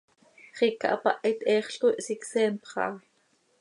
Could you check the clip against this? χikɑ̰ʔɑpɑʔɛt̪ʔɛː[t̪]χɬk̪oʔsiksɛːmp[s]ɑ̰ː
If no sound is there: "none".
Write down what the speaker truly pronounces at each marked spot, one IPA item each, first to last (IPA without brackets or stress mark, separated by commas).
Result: none, χ